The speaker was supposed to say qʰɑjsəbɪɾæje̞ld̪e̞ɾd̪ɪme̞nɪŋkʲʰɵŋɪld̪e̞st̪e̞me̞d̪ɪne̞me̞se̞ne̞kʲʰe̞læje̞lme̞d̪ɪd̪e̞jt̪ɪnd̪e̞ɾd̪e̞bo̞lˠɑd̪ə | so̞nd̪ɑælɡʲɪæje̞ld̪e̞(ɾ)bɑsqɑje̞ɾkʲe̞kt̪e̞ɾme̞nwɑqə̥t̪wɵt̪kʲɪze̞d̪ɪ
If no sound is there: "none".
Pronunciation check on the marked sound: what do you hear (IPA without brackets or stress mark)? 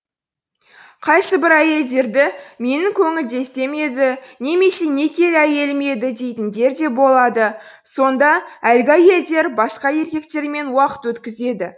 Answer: ɾ